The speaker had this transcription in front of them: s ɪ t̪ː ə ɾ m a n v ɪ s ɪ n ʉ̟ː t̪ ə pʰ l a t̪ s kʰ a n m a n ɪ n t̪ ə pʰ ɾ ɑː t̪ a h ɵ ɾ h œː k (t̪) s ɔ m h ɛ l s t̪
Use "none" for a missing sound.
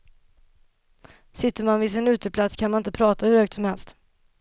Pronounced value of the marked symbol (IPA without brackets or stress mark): t̪